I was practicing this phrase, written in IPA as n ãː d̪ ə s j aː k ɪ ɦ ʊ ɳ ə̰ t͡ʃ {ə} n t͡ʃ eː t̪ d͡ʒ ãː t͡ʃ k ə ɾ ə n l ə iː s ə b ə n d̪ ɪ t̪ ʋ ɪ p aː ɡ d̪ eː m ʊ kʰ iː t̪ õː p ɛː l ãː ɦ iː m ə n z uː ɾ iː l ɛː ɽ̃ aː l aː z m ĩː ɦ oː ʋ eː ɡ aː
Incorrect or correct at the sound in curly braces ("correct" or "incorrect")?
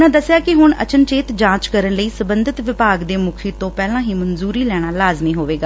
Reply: correct